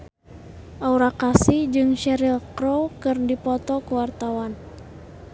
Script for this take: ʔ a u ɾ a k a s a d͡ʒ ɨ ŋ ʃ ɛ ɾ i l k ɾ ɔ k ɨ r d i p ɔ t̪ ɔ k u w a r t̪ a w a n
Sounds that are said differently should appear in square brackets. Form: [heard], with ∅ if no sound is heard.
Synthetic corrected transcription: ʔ a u ɾ a k a s [i] d͡ʒ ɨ ŋ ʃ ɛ ɾ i l k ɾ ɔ k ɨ r d i p ɔ t̪ ɔ k u w a r t̪ a w a n